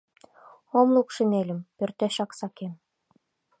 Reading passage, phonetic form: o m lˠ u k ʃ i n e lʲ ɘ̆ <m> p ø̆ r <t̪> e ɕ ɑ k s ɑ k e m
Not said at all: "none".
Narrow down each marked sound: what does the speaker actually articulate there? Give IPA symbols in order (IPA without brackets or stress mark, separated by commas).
m, t̪